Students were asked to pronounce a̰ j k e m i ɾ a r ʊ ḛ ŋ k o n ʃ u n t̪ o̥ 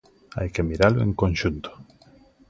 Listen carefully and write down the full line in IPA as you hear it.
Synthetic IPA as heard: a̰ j k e m i ɾ a l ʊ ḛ ŋ k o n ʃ u n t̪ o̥